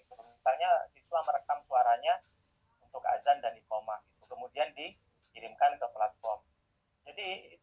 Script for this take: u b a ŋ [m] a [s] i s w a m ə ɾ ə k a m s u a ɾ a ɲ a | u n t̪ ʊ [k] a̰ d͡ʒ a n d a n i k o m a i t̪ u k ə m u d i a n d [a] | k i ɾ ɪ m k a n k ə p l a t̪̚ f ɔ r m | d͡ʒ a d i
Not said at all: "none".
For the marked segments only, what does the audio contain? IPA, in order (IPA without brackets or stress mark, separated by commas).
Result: ɲ, s, k, i